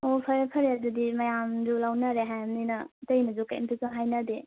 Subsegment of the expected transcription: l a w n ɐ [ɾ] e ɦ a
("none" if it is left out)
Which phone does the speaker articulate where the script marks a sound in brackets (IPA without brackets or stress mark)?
ɾ